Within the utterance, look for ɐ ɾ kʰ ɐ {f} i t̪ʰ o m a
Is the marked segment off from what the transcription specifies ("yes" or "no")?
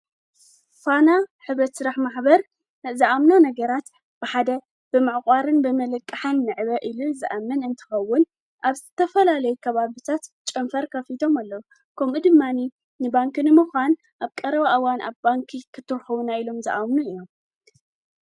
no